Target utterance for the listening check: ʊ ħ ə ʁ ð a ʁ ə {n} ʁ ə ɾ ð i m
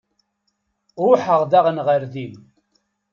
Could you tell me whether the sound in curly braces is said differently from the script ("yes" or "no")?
no